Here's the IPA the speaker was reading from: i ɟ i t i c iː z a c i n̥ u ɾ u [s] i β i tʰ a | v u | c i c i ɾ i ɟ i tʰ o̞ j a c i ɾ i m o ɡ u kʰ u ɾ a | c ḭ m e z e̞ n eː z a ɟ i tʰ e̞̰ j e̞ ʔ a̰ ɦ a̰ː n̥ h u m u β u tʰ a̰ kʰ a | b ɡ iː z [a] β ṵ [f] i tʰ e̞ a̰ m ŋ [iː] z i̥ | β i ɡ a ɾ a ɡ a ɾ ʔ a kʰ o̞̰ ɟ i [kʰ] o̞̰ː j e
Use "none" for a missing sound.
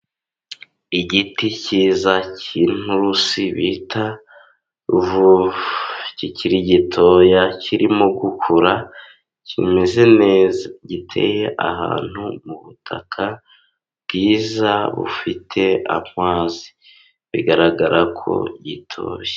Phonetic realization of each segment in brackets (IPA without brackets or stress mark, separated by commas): s, a, f, aː, tʰ